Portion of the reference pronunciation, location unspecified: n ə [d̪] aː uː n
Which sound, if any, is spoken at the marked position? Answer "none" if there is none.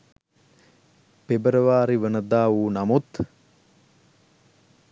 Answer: d̪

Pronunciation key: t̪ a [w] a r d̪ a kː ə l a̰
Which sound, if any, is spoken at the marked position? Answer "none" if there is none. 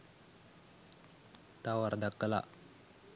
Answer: w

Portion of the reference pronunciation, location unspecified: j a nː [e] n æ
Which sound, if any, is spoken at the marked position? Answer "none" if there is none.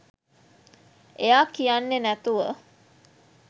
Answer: e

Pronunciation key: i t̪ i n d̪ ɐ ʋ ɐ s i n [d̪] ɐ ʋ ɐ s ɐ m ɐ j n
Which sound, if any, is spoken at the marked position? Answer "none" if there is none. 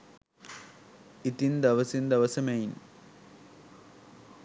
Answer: d̪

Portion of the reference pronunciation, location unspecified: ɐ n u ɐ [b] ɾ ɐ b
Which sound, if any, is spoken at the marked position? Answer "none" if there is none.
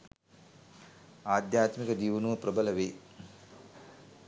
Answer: p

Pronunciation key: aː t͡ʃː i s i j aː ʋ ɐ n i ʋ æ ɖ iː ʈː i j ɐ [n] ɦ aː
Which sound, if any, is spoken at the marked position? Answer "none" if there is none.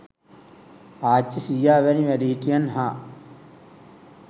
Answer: n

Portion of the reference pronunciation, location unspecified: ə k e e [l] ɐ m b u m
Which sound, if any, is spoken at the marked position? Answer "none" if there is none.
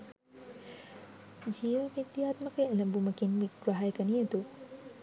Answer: l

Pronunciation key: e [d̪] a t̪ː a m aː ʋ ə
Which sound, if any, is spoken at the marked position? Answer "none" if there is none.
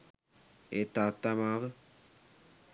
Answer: t̪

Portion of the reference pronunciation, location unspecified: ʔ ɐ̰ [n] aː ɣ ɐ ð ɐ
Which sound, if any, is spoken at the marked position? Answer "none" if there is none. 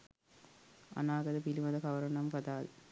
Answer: n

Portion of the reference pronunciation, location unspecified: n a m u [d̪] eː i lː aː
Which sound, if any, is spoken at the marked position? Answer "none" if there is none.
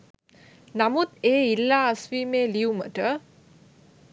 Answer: t̪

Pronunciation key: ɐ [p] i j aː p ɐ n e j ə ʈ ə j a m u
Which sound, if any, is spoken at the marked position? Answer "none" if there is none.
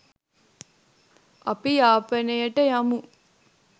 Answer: p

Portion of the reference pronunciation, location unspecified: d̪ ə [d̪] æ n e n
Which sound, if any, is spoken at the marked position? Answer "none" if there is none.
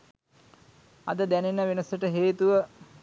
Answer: d̪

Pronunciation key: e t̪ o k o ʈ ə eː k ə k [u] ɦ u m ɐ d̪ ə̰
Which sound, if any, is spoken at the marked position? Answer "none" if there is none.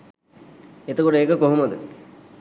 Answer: o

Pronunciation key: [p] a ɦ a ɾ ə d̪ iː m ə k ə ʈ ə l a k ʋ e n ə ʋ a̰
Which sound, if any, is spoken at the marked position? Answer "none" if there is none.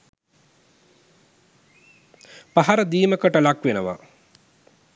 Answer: p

